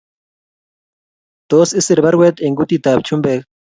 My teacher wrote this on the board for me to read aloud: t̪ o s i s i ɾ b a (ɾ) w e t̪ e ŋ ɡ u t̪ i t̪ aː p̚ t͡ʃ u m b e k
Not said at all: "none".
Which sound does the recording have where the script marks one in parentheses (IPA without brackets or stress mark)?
ɾ